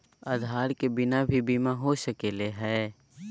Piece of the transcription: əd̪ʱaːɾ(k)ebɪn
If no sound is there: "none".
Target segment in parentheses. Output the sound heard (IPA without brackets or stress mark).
k